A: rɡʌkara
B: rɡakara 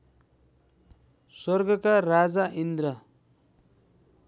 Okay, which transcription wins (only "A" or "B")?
A